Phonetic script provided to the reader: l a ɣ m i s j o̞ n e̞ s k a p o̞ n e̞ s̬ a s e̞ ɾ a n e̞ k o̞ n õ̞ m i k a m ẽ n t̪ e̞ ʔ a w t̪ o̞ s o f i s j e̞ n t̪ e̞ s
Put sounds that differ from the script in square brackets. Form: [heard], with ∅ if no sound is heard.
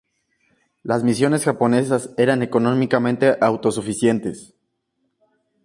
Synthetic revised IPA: l a [z] m i s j o̞ n e̞ s [x] a p o̞ n e̞ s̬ a s e̞ ɾ a n e̞ k o̞ n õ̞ m i k a m ẽ n t̪ e̞ ʔ a w t̪ o̞ s [u] f i s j e̞ n t̪ e̞ s